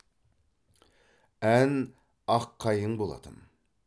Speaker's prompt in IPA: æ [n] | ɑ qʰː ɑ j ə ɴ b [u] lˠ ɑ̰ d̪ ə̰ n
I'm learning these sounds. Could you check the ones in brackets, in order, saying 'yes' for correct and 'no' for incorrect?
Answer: yes, no

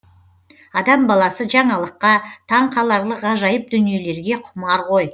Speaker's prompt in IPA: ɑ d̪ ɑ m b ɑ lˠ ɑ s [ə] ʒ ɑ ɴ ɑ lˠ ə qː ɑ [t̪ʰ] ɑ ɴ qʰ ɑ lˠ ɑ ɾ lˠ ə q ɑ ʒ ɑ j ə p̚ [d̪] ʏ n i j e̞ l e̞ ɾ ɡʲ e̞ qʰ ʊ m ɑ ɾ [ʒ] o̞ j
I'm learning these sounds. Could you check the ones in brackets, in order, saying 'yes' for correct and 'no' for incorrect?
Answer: yes, yes, yes, no

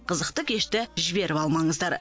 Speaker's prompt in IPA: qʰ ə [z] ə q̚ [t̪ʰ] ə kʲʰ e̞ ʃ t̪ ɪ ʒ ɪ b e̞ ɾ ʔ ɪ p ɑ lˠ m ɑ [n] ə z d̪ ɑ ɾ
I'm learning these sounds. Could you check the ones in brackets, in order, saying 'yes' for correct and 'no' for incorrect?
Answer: yes, no, no

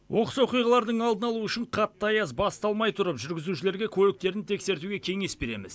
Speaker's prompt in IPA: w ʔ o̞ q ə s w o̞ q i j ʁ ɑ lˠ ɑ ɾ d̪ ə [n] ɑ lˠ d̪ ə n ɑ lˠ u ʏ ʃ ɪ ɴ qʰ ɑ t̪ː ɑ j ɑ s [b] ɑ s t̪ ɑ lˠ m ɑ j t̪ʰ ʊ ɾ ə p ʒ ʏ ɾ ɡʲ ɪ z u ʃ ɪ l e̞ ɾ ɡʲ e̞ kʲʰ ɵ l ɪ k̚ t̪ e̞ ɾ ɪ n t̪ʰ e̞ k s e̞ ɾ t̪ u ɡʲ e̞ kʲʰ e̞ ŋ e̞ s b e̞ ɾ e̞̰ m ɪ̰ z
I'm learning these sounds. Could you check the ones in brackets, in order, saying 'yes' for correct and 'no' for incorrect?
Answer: no, yes

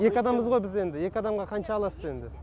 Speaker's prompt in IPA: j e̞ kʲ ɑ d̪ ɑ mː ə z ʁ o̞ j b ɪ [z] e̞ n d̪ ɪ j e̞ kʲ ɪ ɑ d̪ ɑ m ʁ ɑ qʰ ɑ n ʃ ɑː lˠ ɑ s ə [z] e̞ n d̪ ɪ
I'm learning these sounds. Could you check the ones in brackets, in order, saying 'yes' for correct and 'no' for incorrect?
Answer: yes, yes

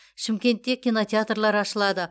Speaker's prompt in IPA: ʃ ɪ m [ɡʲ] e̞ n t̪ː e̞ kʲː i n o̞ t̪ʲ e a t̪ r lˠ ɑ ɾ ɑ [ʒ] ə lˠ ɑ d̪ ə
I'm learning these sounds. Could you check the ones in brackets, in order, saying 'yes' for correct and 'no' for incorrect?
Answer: no, no

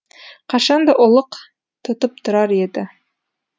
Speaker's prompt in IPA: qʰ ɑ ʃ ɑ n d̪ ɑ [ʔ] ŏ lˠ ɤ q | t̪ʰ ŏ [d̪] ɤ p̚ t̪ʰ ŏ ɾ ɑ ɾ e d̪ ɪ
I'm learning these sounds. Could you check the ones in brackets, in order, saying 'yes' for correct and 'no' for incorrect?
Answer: yes, no

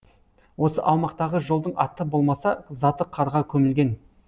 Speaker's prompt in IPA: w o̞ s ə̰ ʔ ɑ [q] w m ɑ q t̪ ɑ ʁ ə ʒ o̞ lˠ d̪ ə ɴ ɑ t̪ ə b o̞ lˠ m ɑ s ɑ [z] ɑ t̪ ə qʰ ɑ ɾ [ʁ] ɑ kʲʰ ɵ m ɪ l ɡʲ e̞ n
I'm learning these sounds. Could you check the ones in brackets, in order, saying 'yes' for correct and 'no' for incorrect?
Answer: no, yes, yes

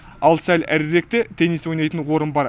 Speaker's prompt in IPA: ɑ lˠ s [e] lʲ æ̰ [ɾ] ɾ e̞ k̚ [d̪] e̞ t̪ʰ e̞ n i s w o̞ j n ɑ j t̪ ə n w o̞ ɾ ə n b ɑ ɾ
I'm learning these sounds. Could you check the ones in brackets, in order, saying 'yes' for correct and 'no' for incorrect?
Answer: no, yes, no

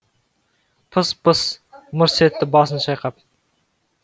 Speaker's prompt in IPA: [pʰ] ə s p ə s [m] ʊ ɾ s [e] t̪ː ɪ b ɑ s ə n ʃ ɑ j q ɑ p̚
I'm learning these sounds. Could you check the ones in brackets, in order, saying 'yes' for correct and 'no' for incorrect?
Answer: yes, yes, yes

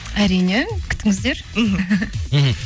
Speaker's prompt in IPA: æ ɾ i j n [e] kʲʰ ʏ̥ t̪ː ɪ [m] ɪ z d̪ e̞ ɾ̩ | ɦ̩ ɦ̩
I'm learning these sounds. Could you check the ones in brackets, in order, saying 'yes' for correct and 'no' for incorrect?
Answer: yes, no

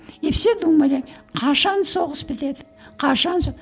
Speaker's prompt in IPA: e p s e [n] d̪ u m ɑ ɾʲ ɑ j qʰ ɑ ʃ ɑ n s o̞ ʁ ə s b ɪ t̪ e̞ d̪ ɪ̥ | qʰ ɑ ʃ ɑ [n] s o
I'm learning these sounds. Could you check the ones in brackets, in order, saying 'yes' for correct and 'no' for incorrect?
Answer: no, yes

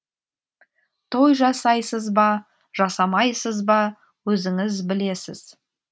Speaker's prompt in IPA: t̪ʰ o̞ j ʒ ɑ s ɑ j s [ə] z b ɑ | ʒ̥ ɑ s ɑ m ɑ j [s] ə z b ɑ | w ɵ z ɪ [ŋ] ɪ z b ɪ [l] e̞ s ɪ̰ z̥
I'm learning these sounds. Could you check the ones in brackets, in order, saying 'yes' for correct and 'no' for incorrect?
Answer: yes, yes, yes, yes

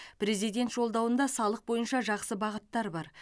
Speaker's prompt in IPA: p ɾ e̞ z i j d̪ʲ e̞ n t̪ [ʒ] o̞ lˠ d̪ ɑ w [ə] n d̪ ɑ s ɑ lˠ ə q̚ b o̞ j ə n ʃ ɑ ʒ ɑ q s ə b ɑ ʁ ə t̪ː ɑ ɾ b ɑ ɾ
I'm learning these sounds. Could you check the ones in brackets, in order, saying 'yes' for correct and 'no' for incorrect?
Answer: yes, yes

